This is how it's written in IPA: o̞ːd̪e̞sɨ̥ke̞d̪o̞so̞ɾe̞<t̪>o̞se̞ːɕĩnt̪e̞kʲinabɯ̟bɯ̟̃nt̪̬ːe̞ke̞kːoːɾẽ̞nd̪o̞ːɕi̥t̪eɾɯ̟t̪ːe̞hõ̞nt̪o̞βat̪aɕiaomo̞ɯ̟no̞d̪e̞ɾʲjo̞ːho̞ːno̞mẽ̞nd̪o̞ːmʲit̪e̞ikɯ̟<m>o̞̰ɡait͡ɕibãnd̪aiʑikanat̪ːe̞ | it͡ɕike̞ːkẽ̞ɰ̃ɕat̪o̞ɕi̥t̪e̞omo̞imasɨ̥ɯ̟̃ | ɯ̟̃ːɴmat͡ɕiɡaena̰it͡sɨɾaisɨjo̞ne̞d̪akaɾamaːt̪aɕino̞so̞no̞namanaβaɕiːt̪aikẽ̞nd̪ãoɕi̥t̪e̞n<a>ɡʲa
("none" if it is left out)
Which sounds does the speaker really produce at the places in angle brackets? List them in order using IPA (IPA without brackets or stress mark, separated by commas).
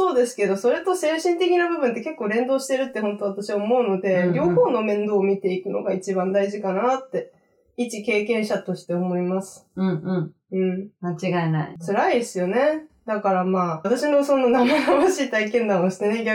t̪, n, e